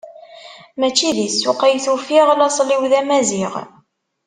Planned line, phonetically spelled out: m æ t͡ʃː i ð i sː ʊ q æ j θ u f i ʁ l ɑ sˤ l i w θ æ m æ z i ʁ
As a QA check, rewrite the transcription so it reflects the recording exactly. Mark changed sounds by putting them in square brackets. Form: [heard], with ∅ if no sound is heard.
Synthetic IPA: m æ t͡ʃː i ð i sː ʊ q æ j θ u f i ʁ l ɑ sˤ l i w [ð] æ m æ z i ʁ

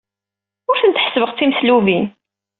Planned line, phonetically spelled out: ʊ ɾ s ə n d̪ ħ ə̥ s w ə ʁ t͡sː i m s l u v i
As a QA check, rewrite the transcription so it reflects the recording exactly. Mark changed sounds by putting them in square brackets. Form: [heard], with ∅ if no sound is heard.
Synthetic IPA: ʊ ɾ [θ] ə n [t̪] ħ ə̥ s [v] ə ʁ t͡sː i m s l u v i

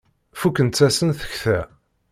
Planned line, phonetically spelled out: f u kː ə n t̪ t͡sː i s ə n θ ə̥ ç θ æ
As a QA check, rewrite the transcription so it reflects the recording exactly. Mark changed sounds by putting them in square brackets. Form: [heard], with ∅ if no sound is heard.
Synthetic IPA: f u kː ə n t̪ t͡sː [æ] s ə n θ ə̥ ç θ æ

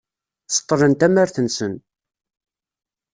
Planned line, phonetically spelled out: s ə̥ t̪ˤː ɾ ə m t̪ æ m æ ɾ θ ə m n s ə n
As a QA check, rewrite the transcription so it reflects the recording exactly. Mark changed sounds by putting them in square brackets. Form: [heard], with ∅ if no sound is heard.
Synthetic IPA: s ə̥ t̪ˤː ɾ ə [n] t̪ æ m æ ɾ θ ə [∅] n s ə n

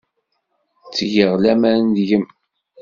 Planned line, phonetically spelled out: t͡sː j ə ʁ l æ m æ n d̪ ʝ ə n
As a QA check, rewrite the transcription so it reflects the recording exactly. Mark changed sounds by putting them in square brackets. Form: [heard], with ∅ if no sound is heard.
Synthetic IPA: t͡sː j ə ʁ l æ m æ n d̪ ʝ ə [m]

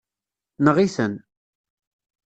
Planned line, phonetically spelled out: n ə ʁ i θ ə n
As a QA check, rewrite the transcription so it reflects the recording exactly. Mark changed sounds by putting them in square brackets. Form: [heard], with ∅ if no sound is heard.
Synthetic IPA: n ə ʁ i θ ə n

